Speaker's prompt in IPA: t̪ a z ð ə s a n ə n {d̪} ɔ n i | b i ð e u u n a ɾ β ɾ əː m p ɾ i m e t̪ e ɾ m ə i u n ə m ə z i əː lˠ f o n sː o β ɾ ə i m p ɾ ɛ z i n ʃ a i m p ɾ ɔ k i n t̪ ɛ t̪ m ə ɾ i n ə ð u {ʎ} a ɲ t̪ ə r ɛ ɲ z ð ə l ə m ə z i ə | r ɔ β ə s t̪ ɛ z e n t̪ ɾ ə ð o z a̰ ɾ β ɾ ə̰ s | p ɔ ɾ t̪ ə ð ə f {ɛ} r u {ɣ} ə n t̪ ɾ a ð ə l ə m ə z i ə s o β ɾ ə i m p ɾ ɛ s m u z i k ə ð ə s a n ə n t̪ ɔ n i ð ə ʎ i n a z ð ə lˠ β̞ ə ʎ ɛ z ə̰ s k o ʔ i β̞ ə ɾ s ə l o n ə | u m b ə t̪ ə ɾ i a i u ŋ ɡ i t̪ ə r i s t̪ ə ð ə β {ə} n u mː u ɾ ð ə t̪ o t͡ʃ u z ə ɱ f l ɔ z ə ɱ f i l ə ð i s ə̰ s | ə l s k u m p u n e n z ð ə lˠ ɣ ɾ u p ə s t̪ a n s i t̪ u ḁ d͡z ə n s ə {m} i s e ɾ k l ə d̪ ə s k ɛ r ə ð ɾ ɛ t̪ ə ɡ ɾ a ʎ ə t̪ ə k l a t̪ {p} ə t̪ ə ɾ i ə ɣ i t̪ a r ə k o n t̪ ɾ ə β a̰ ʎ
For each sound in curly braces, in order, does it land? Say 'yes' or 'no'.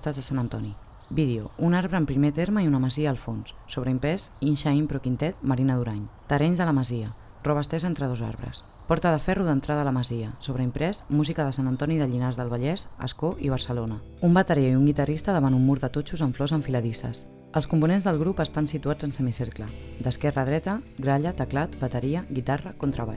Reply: no, no, yes, no, no, yes, no

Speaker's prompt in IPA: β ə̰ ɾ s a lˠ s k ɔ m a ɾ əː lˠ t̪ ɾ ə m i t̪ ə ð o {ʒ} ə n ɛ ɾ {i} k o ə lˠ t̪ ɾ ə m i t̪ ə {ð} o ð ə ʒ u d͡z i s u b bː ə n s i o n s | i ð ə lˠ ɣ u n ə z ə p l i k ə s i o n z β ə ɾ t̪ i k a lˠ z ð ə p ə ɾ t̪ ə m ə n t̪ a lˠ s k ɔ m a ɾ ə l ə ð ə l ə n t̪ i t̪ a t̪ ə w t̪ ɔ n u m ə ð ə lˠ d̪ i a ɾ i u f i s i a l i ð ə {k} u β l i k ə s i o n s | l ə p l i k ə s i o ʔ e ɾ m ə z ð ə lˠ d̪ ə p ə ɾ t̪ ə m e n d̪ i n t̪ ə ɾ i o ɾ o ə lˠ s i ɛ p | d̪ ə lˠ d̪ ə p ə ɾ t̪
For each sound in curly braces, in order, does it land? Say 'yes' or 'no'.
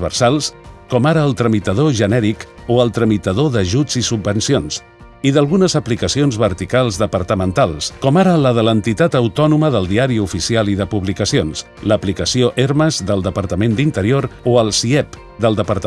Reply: yes, yes, yes, no

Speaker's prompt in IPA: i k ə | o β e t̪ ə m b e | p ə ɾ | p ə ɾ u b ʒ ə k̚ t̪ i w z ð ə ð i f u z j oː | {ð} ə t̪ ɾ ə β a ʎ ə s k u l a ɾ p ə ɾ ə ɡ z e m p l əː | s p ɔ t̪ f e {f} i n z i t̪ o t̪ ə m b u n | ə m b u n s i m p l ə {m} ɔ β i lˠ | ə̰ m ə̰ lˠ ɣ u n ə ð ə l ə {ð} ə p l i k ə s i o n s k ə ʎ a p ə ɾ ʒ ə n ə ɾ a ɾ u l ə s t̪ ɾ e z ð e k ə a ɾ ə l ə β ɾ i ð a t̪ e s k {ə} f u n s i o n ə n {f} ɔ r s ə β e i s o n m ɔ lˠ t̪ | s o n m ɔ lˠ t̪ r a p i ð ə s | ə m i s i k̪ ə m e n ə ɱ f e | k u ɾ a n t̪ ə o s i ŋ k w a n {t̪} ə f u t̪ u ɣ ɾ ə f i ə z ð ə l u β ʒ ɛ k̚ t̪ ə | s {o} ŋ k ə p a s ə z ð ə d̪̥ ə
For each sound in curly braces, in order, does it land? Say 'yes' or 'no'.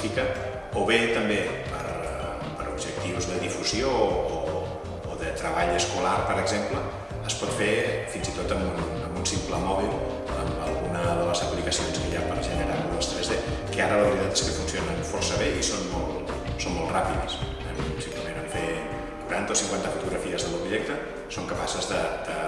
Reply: yes, yes, yes, no, yes, yes, yes, yes

